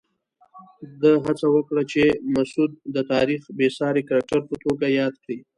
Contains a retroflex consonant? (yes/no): yes